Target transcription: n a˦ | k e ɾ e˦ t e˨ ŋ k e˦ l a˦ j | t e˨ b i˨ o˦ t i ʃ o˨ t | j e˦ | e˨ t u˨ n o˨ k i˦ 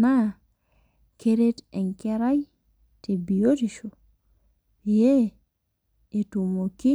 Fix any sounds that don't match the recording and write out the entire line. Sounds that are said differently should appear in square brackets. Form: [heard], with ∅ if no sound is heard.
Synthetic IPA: n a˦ | k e ɾ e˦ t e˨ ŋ k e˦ [ɾ] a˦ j | t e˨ b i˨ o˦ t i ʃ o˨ [∅] | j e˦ | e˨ t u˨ [m] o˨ k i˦